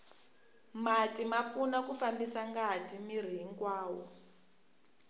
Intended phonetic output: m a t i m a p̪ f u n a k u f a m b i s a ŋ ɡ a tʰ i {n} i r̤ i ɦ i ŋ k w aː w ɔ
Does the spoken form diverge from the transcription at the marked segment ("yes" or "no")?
yes